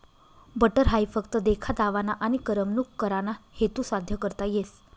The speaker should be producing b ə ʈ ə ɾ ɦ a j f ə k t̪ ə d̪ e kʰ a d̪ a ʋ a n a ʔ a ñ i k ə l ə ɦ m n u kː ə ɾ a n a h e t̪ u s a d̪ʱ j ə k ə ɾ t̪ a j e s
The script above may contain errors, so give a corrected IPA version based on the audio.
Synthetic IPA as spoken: b ə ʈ ə ɾ ɦ a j f ə k t̪ ə d̪ e kʰ a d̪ a ʋ a n a ʔ a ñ i k ə ɾ ə m n u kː ə ɾ a n a h e t̪ u s a d̪ʱ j ə k ə ɾ t̪ a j e s